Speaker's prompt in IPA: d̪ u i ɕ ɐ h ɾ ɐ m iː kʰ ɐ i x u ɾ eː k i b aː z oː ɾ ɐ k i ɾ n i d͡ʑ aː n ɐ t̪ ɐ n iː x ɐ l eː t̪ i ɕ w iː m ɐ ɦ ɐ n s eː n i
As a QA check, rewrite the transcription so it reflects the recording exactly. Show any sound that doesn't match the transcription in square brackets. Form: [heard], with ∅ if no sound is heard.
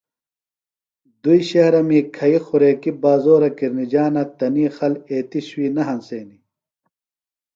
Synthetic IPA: d̪ u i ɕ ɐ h ɾ ɐ m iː kʰ ɐ i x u ɾ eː k i b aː z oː ɾ ɐ k i ɾ n i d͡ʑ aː n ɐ t̪ ɐ n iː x ɐ l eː t̪ i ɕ w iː [n] ɐ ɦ ɐ n s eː n i